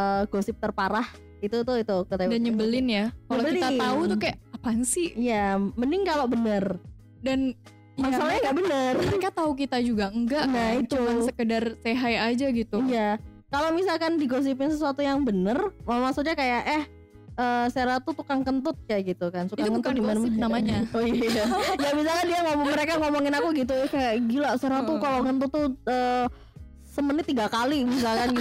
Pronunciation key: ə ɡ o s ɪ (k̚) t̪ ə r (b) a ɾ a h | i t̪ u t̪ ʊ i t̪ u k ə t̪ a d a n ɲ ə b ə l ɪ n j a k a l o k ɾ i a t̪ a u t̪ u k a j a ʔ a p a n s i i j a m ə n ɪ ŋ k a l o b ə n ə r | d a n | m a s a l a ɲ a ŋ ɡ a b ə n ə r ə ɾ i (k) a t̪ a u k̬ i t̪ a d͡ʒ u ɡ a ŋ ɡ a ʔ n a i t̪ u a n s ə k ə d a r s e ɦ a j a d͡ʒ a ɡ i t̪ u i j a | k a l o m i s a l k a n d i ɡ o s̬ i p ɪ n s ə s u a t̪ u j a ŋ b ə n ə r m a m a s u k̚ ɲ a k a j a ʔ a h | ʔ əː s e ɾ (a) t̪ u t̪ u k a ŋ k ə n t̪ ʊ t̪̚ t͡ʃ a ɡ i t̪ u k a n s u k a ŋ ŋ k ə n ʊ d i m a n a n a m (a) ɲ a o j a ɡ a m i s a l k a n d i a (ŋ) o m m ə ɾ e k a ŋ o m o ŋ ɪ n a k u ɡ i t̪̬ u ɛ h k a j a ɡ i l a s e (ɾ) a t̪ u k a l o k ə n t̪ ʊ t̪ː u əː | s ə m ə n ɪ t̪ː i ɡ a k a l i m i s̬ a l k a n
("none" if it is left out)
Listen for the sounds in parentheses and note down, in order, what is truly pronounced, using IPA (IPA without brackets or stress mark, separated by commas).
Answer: p̚, p, k, a, a, ŋ, ɾ